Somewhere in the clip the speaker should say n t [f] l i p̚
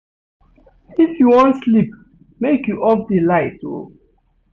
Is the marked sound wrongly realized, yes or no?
yes